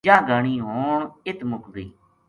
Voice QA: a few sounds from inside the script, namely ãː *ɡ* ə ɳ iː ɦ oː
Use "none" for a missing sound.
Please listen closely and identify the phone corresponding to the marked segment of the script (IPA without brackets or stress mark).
ɡ